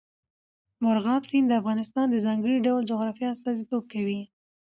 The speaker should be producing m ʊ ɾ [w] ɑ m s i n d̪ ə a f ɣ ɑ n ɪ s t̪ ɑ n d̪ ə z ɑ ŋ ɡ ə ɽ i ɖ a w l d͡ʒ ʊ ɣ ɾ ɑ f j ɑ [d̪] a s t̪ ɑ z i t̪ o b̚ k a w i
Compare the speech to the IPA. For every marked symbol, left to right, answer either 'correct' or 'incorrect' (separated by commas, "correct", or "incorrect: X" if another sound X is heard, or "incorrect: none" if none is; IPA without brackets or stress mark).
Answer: incorrect: ɣ, incorrect: none